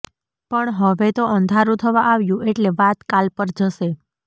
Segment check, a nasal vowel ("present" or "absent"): present